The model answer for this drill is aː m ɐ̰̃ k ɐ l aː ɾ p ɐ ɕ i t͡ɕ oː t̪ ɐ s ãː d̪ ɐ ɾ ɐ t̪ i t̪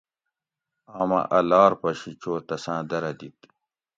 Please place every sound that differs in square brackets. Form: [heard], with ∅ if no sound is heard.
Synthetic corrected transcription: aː m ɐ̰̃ [ʔ] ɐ l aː ɾ p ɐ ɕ i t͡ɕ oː t̪ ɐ s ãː d̪ ɐ ɾ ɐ [d̪] i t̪